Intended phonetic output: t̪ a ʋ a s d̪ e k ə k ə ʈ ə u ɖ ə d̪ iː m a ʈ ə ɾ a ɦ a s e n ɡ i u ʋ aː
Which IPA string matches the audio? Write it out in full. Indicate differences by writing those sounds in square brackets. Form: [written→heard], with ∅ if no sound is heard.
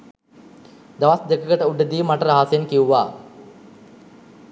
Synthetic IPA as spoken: [t̪→d̪] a ʋ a s d̪ e k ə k ə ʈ ə u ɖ ə d̪ iː m a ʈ ə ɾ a ɦ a s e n [ɡ→k] i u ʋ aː